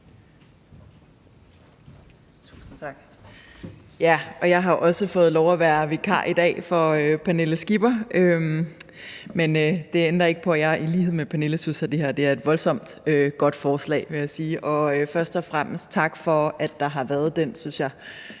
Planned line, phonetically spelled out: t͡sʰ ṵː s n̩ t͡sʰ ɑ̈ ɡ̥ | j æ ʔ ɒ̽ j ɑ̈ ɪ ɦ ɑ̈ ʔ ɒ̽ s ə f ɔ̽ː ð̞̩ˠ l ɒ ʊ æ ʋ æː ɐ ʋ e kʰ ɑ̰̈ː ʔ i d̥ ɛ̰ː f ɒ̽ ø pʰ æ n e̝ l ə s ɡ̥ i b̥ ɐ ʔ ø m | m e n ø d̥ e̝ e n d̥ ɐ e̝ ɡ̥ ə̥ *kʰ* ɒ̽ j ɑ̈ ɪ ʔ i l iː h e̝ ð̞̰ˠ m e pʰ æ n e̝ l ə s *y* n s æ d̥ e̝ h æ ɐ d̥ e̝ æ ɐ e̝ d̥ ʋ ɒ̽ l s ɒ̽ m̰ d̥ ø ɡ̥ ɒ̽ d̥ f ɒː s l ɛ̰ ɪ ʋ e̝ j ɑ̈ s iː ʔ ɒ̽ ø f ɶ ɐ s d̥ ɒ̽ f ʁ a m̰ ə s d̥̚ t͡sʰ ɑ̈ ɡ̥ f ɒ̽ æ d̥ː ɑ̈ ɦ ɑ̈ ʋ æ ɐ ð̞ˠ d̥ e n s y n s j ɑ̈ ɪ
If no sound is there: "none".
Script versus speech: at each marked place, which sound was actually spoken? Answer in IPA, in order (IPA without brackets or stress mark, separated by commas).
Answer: pʰ, y